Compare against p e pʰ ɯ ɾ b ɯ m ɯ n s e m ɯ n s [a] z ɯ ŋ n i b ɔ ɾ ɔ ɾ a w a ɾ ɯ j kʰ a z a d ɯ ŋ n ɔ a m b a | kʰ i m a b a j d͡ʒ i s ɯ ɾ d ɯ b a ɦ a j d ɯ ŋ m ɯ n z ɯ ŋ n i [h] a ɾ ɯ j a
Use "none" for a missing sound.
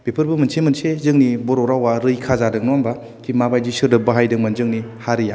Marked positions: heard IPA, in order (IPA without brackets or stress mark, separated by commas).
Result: e, h